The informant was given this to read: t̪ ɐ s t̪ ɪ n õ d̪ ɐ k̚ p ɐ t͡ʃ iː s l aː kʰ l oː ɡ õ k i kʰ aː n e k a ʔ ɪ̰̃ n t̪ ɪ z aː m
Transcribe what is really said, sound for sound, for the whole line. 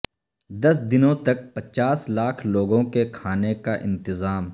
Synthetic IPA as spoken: d̪ ɐ s d̪ ɪ n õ t̪ ɐ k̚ p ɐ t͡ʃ aː s l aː kʰ l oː ɡ õ k e kʰ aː n e k a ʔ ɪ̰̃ n t̪ ɪ z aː m